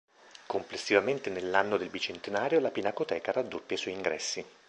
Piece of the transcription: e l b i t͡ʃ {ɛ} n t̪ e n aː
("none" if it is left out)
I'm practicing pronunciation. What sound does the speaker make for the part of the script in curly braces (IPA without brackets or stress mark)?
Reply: e